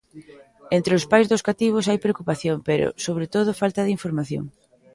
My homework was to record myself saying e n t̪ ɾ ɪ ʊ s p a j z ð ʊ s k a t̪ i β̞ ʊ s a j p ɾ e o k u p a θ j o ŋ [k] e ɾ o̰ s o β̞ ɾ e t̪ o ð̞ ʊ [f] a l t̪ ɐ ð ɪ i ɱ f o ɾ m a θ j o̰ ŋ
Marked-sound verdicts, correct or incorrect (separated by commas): incorrect, correct